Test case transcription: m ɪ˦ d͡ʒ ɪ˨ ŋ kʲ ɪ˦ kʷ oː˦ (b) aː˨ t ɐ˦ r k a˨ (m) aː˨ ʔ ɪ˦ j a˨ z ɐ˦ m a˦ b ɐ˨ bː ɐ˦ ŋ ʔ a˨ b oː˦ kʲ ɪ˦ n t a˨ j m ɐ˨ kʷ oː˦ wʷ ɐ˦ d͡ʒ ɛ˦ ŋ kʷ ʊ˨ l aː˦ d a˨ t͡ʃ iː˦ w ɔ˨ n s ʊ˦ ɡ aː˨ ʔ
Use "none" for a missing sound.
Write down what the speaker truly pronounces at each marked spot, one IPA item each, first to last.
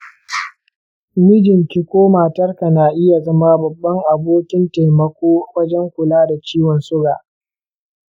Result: m, n

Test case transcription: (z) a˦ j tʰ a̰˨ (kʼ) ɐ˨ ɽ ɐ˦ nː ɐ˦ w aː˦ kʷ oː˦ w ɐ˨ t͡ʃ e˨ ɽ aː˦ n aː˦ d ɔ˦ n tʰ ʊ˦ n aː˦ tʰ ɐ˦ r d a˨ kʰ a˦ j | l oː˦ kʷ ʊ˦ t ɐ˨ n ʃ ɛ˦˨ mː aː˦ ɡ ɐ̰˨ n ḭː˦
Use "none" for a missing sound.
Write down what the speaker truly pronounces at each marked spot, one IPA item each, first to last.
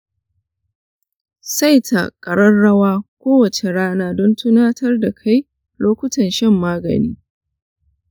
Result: s, kʼ

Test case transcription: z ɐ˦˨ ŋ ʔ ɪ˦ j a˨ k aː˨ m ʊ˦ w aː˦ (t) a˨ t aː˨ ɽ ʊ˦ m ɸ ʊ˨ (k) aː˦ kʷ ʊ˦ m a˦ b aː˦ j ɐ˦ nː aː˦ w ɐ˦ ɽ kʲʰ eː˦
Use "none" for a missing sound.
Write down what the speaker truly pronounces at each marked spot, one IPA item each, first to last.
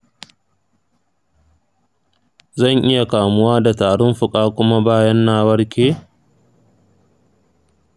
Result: d, kʼ

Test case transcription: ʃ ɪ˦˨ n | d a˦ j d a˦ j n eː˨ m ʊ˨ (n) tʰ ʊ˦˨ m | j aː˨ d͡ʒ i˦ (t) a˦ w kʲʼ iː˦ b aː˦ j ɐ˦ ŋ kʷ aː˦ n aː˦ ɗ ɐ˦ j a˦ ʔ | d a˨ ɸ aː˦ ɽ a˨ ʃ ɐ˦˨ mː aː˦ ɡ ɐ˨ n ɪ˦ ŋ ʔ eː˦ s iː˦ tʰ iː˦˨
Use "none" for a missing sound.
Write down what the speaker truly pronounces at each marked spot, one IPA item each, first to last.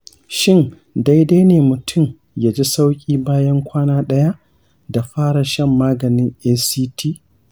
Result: none, s

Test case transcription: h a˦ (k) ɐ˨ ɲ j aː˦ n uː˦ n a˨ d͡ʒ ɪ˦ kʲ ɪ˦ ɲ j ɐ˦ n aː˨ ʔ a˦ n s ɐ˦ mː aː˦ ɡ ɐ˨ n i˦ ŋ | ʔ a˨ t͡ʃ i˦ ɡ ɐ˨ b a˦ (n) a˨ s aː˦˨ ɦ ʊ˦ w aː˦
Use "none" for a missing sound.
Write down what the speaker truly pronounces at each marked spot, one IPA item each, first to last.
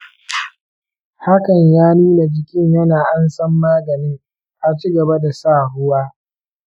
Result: k, d

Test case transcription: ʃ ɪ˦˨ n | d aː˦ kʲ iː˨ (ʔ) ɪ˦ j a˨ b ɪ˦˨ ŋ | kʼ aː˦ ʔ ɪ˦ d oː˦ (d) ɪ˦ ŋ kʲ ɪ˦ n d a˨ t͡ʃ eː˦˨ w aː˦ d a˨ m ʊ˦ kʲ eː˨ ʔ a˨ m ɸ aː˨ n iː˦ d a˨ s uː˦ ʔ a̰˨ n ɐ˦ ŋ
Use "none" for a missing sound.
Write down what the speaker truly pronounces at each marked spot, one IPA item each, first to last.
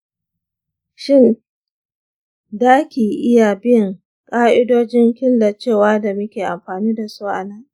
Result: ʔ, d͡ʒ

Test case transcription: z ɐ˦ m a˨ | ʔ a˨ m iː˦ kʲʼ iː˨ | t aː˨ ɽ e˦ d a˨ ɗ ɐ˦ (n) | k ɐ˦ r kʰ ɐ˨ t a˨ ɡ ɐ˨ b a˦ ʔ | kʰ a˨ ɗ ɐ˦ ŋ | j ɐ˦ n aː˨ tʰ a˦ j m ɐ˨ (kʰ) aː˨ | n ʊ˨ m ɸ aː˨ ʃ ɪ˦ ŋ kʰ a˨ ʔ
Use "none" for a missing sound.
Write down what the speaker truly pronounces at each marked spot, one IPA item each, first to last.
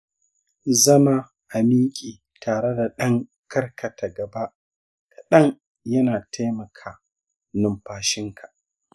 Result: ŋ, kʰ

